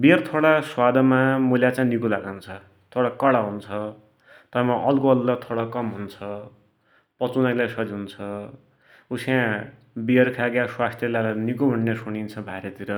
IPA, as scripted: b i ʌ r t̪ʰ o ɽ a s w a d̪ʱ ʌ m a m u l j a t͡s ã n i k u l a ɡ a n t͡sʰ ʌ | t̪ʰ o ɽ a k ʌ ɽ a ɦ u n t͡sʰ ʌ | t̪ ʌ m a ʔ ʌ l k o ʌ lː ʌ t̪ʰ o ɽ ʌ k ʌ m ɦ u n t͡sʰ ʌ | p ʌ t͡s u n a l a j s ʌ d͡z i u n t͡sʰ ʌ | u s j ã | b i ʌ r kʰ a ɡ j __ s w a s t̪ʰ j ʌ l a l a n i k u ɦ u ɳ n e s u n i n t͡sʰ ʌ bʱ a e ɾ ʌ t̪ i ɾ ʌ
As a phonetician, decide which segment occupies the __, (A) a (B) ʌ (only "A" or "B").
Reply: A